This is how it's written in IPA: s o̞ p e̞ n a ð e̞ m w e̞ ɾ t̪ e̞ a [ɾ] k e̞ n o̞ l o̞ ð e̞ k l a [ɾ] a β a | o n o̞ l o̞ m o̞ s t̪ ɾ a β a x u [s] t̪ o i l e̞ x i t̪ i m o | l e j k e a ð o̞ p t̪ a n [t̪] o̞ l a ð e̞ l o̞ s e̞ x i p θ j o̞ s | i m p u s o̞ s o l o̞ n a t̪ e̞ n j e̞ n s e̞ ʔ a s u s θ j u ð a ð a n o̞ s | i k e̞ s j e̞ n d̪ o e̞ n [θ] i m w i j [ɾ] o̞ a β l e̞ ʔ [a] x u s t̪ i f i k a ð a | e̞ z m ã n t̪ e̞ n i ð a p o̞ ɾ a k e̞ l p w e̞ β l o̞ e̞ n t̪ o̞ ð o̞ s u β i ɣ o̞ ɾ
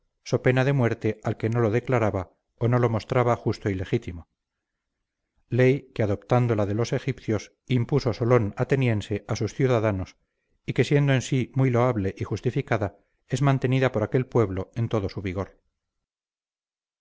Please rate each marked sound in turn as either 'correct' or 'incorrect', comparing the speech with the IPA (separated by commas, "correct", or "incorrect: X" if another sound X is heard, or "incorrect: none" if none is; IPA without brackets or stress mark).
incorrect: l, correct, correct, incorrect: d̪, incorrect: s, incorrect: l, incorrect: i